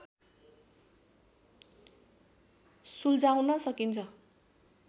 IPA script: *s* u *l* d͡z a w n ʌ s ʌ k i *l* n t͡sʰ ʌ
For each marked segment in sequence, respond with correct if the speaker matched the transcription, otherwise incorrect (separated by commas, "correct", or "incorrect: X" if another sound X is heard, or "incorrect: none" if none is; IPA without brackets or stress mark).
correct, correct, incorrect: none